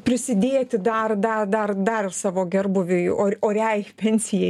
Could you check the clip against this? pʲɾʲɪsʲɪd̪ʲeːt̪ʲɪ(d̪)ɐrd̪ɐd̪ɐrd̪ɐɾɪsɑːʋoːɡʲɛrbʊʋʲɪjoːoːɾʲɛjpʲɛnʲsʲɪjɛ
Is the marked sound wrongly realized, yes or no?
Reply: no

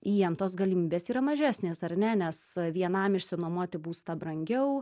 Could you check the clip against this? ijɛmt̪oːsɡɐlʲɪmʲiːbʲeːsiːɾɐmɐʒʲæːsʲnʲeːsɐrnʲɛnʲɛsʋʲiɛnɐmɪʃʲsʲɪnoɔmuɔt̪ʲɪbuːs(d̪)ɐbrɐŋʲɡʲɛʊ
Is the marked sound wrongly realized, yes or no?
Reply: yes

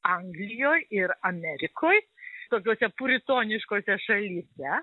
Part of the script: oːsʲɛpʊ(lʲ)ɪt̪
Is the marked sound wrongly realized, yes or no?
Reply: yes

